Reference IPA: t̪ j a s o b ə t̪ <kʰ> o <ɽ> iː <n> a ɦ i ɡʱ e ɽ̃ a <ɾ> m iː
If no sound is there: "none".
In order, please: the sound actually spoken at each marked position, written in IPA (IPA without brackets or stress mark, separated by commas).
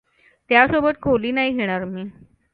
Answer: kʰ, l, n, ɾ